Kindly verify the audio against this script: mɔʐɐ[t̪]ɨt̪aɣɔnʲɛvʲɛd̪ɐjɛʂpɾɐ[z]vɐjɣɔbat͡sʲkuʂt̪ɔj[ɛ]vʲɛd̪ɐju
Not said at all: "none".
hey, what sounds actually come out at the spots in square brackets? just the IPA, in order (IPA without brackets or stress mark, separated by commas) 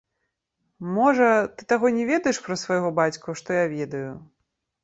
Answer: t̪, s, a